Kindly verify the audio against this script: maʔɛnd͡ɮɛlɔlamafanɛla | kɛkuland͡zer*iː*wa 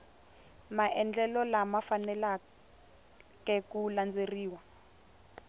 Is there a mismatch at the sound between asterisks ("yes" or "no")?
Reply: no